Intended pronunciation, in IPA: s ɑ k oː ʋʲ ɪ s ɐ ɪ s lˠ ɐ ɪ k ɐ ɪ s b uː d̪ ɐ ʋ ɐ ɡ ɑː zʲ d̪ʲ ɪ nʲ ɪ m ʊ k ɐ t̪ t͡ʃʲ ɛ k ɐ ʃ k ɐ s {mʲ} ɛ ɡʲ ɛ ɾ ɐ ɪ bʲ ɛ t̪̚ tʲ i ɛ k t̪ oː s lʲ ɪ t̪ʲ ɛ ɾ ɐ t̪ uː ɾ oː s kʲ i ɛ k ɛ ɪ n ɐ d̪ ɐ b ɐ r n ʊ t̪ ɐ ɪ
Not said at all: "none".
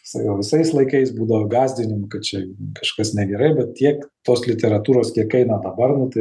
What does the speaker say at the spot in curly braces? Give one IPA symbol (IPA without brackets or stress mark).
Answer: nʲ